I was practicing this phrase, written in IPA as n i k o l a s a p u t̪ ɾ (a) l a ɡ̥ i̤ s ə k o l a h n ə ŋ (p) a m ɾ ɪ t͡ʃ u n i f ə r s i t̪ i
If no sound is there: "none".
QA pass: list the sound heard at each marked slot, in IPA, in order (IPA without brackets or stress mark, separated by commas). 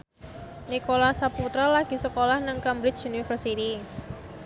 a, k